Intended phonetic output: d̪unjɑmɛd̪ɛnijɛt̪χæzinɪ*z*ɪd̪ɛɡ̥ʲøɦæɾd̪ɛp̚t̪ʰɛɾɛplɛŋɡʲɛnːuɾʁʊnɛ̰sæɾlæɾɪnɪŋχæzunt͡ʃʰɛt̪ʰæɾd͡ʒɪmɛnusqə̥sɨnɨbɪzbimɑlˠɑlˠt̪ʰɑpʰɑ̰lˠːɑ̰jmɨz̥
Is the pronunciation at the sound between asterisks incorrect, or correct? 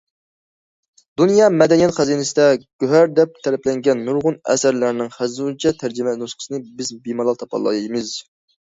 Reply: incorrect: s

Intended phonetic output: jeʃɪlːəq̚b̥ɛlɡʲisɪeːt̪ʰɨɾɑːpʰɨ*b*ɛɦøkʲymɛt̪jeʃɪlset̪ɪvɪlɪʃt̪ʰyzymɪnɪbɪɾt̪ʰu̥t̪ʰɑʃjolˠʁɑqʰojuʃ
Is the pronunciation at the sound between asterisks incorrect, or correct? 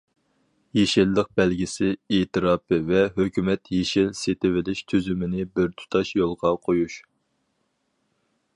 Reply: incorrect: v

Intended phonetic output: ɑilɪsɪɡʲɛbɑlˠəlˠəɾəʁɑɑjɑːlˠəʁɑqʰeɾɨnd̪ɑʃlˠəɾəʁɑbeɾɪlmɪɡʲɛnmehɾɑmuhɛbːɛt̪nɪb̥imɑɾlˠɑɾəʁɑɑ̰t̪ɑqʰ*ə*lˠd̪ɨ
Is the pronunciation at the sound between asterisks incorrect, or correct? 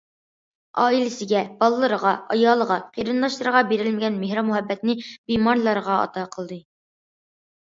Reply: correct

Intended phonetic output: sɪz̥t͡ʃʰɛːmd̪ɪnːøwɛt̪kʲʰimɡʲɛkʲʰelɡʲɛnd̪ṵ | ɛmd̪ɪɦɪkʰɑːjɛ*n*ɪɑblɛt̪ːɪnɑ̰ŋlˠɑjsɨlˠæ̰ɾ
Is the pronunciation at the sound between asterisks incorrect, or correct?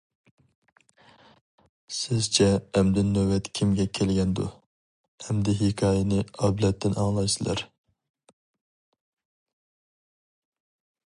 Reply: correct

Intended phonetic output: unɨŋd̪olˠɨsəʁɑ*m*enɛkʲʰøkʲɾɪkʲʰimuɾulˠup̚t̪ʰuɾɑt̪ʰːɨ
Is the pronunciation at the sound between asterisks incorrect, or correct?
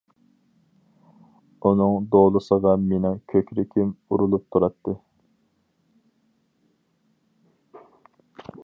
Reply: correct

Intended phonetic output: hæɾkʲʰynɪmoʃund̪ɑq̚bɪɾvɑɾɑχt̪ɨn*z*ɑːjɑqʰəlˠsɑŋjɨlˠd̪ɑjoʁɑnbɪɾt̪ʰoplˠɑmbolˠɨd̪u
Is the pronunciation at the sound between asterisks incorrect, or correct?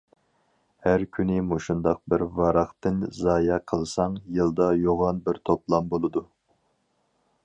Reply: correct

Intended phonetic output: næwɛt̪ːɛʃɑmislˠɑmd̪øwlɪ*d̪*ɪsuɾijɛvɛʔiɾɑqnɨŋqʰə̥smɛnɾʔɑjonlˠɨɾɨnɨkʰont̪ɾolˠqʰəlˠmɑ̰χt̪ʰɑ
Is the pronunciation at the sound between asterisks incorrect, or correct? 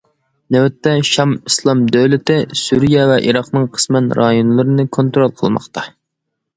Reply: incorrect: t̪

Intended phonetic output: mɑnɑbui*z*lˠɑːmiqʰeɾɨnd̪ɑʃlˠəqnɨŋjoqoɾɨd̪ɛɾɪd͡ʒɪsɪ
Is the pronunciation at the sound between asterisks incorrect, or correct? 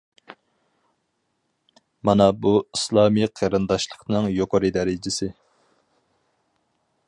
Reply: incorrect: s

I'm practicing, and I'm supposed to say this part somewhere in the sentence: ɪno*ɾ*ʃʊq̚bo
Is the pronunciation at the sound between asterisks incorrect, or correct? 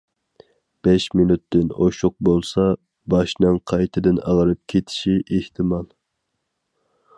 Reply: incorrect: none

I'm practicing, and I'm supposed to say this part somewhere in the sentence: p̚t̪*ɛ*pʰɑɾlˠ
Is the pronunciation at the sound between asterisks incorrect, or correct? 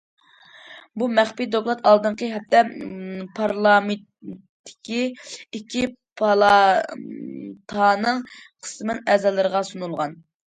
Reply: correct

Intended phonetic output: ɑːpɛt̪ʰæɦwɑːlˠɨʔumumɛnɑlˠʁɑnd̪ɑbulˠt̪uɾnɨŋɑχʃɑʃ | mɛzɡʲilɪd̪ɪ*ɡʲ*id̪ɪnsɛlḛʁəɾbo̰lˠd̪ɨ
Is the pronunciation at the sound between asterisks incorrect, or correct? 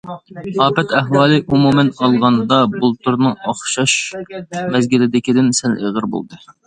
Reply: incorrect: kʲ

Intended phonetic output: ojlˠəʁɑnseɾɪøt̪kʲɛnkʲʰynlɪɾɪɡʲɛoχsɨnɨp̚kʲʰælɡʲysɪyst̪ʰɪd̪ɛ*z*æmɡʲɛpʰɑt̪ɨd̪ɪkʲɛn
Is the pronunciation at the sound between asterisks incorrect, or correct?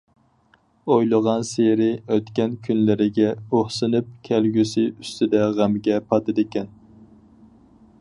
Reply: incorrect: ʁ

